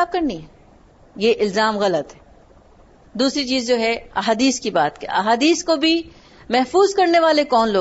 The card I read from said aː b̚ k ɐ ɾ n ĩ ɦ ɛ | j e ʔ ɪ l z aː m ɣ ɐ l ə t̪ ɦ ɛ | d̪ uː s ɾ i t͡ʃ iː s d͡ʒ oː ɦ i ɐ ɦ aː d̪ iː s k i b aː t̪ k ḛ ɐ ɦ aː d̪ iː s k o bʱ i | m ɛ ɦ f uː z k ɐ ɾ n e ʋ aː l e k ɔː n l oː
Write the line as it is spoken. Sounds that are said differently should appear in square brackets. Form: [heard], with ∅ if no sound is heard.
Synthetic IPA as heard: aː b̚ k ɐ ɾ n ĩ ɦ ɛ | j e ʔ ɪ l z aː m ɣ ɐ l ə t̪ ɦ ɛ | d̪ uː s ɾ i t͡ʃ iː [z] d͡ʒ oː ɦ [ɛ] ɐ ɦ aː d̪ iː s k i b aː t̪ k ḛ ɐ ɦ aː d̪ iː s k o bʱ i | m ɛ ɦ f uː z k ɐ ɾ n e ʋ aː l e k ɔː n l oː